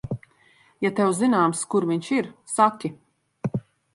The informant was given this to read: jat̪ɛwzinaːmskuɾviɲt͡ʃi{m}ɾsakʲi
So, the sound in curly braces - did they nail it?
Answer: no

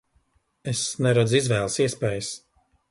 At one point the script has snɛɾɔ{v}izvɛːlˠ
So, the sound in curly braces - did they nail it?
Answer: no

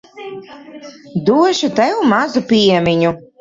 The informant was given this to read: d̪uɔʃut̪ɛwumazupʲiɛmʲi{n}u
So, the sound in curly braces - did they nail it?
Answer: no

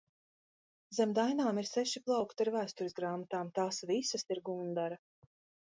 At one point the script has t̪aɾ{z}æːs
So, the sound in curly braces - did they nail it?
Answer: no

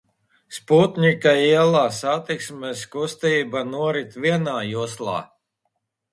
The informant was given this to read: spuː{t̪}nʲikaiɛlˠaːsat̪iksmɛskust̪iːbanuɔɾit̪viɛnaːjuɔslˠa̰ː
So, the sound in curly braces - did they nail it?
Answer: yes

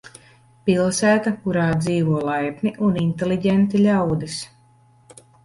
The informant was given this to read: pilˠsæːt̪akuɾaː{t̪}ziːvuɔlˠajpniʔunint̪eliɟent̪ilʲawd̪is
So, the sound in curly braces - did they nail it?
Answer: no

